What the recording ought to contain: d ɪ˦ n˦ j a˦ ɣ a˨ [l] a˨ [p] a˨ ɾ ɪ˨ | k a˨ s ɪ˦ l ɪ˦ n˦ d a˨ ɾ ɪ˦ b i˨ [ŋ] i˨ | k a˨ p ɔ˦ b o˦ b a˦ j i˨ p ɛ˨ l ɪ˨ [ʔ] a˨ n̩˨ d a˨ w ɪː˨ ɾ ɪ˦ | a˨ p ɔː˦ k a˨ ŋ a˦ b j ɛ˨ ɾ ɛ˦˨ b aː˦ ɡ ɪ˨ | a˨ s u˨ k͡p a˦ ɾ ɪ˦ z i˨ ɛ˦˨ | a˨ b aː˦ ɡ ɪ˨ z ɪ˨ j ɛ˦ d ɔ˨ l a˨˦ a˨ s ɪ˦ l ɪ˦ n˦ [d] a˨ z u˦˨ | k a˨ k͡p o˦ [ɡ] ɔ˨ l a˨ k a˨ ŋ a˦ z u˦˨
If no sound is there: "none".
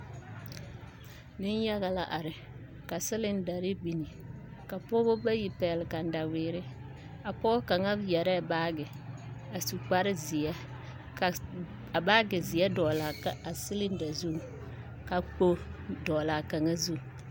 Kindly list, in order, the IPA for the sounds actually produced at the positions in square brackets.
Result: l, ʔ, n, k, d, d

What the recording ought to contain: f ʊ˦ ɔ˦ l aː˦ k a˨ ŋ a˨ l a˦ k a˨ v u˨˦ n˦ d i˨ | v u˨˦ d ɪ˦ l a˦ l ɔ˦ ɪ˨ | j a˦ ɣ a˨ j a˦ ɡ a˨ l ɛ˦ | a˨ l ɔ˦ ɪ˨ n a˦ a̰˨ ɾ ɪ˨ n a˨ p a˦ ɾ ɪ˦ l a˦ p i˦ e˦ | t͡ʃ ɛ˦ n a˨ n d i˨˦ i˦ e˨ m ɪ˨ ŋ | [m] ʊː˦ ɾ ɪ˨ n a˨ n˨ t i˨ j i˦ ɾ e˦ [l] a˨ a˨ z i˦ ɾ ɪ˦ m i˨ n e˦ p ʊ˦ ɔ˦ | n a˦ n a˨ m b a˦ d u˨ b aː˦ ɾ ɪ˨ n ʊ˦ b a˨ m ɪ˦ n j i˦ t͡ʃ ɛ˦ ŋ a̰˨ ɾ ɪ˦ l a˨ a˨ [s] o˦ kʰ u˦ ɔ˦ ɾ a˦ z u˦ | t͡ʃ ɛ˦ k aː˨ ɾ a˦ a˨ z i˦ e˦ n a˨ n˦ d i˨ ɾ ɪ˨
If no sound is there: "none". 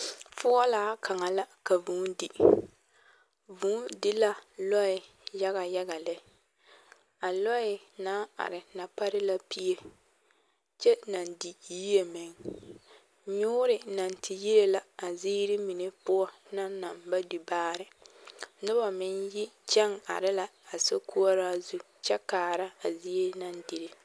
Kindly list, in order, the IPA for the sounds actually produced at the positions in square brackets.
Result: ɲ, l, s

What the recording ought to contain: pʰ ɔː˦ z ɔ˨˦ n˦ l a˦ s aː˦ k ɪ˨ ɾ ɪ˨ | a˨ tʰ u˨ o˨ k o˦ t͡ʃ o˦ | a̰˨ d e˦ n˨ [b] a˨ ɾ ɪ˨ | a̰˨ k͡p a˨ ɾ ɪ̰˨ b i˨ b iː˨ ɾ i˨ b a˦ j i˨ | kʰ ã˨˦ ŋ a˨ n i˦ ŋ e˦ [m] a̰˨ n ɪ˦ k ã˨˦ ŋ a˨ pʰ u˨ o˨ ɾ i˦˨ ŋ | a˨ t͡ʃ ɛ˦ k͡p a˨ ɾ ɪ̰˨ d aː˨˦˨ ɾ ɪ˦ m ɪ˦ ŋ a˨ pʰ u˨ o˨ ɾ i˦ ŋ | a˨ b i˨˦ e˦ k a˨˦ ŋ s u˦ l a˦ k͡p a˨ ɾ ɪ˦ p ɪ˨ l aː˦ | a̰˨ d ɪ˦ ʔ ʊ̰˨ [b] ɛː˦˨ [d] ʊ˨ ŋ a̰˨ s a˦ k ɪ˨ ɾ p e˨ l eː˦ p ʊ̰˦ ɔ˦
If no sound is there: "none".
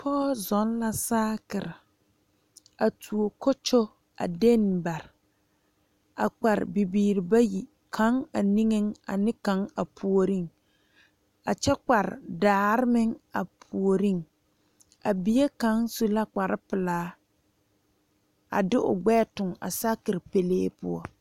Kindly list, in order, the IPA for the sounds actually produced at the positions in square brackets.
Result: b, ŋ, ɡ͡b, t

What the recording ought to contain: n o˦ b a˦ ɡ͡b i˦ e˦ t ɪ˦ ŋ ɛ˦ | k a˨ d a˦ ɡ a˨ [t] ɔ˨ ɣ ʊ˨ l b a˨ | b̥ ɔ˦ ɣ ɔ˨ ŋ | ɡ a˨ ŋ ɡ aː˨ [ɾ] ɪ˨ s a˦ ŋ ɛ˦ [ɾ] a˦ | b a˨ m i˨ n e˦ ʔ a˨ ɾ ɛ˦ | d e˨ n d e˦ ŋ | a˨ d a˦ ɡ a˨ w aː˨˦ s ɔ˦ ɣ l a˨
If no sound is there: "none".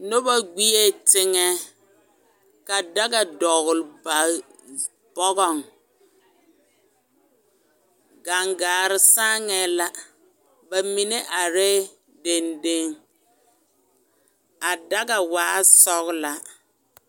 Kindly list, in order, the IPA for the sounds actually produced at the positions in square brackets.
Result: d, ɾ, l

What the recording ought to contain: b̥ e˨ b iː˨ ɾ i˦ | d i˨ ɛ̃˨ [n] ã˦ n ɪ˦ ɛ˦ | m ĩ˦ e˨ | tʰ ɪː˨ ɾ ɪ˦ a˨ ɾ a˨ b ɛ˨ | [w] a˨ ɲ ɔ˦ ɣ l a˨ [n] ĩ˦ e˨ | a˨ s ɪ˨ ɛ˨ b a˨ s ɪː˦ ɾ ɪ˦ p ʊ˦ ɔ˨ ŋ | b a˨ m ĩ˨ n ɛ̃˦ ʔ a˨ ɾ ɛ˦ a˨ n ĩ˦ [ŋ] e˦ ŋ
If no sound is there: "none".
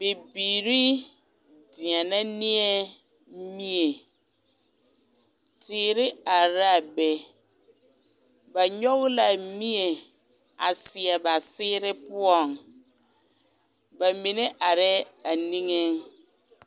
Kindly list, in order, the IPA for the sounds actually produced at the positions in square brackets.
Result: n, b, m, ŋ

